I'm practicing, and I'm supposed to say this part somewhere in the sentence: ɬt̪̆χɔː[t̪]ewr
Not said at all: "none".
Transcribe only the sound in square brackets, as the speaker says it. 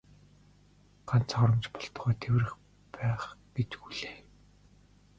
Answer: t̪ʰ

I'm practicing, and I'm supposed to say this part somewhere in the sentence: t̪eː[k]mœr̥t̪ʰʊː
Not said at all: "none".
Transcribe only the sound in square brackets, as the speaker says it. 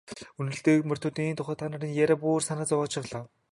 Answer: k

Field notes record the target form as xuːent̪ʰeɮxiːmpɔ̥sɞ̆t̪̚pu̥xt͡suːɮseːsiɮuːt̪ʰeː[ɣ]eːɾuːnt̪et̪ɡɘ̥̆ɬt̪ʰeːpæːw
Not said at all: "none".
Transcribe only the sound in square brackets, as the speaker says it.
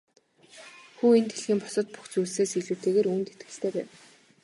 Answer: ɣ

